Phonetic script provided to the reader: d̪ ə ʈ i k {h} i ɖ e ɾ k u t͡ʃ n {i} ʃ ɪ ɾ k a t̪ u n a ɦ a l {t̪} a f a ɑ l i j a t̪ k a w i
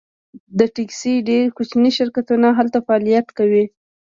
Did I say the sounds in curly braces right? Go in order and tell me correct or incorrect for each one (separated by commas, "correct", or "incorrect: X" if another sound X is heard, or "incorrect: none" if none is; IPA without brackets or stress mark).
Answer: incorrect: s, correct, correct